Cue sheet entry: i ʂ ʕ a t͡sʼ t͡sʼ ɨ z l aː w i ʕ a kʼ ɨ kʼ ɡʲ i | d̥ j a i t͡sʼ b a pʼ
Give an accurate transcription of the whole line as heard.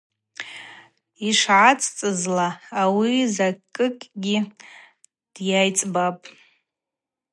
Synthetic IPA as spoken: i ʂ ʕ a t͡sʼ t͡sʼ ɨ z l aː w i z a kʼ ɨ kʼ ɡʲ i | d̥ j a j t͡sʼ b a pʼ